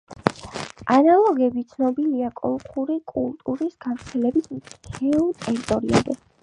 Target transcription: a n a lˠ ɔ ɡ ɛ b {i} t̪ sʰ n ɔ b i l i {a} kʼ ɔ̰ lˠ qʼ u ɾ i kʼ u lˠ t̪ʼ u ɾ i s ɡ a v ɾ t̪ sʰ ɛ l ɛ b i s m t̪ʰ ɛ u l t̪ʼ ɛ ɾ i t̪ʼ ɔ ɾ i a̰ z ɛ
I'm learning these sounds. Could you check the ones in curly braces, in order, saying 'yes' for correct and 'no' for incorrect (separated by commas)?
yes, yes